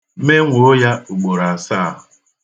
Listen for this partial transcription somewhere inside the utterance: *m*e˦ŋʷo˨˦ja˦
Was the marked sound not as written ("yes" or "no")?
no